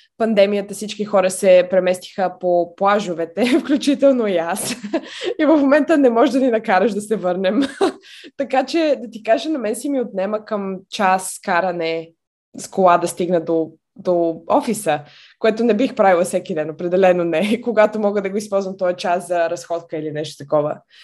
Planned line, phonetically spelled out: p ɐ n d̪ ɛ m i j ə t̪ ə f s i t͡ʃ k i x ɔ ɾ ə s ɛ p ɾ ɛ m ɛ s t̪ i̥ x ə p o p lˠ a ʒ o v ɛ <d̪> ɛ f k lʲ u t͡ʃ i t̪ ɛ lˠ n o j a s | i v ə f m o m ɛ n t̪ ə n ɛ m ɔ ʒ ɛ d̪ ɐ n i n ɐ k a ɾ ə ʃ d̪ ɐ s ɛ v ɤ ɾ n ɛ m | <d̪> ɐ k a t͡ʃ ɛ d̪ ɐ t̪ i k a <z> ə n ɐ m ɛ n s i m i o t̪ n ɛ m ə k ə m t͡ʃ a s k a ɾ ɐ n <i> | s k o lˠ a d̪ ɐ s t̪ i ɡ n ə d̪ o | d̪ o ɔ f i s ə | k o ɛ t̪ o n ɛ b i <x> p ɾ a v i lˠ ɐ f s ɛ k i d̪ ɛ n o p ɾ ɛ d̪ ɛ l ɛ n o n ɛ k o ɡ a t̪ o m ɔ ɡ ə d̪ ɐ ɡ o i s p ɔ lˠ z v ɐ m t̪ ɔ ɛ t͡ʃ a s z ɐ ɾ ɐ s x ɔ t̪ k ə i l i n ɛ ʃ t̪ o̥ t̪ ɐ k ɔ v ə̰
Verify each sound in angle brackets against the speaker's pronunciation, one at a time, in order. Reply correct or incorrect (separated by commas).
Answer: incorrect, incorrect, incorrect, incorrect, correct